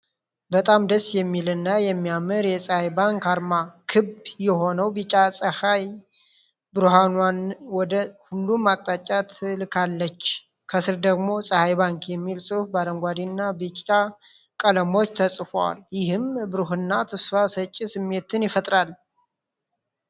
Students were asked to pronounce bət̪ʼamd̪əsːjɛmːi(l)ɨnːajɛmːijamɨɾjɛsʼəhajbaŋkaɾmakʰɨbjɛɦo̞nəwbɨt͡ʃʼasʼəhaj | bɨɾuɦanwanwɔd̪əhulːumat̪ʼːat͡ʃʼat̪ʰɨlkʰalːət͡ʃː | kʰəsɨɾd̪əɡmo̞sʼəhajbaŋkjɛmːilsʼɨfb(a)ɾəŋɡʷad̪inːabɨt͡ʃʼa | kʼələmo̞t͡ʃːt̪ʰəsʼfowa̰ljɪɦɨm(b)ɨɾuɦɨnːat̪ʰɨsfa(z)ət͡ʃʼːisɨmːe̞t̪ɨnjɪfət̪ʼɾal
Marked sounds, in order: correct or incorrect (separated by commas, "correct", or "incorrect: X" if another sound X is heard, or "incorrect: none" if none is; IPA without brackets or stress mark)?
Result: correct, correct, correct, incorrect: s